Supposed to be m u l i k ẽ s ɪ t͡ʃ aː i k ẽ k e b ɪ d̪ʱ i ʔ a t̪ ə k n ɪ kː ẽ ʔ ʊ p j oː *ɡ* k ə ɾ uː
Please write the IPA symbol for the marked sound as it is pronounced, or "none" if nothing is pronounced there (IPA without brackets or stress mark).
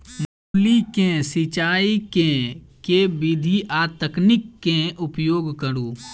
ɡ